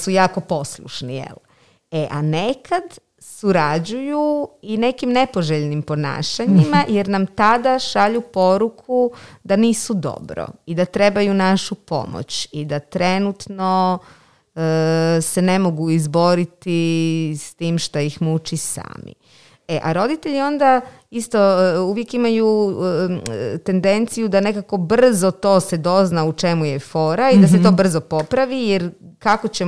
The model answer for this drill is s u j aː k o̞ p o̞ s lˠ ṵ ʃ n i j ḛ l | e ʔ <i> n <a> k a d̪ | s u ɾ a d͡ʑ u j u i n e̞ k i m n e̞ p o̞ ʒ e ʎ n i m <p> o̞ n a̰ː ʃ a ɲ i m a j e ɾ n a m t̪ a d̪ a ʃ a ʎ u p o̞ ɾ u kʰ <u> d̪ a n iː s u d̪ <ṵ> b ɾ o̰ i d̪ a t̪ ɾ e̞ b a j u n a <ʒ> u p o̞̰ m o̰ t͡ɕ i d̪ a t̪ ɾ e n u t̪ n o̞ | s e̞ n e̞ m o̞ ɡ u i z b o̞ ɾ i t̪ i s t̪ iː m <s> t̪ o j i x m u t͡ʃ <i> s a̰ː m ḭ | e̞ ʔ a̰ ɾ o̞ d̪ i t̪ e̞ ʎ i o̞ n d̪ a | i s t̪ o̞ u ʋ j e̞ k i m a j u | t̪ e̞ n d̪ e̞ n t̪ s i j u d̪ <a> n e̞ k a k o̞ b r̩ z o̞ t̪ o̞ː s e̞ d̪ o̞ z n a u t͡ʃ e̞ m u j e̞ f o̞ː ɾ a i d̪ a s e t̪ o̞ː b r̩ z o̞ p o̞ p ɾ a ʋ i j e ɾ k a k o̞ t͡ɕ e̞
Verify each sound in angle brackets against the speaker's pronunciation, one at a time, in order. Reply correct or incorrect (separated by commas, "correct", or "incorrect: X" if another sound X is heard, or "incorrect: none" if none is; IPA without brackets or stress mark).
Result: incorrect: a, incorrect: e, correct, correct, incorrect: o̰, incorrect: ʃ, incorrect: ʃ, correct, correct